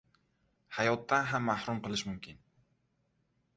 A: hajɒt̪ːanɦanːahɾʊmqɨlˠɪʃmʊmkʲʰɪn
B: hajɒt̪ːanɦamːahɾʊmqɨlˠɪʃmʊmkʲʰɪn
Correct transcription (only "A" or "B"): B